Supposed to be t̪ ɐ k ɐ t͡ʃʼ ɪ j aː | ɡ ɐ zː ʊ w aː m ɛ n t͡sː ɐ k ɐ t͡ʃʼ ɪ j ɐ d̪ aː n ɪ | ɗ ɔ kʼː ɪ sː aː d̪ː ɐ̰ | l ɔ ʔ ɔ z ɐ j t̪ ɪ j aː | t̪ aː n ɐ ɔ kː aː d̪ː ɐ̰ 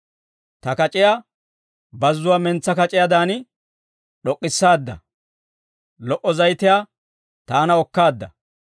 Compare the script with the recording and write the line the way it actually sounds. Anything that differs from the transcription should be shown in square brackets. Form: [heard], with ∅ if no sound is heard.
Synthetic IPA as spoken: t̪ ɐ k ɐ t͡ʃʼ ɪ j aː | [b] ɐ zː ʊ w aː m ɛ n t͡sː ɐ k ɐ t͡ʃʼ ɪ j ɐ d̪ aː n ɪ | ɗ ɔ kʼː ɪ sː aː d̪ː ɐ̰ | l ɔ ʔ ɔ z ɐ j t̪ ɪ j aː | t̪ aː n ɐ ɔ kː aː d̪ː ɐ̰